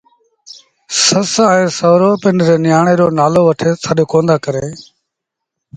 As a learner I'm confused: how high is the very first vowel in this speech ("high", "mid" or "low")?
mid